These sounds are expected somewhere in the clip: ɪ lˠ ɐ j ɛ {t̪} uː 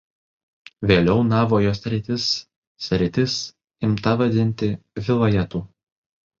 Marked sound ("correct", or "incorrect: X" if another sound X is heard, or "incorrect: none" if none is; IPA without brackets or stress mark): correct